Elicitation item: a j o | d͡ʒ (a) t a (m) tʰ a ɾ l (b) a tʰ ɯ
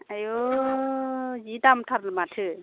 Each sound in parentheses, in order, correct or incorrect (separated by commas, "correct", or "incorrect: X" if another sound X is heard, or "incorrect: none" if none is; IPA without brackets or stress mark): incorrect: i, correct, incorrect: m